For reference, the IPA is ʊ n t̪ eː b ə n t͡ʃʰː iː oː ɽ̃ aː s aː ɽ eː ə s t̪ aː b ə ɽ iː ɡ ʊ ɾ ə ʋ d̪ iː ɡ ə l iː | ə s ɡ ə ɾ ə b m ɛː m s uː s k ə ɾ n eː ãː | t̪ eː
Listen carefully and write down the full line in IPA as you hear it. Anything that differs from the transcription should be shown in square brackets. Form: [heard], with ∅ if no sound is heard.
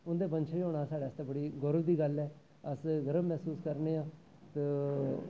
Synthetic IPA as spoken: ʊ n [d̪] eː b ə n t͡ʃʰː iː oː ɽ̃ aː s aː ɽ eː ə s t̪ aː b ə ɽ iː ɡ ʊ ɾ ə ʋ d̪ iː ɡ ə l [ɛː] | ə s ɡ ə ɾ ə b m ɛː [∅] s uː s k ə ɾ n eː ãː | t̪ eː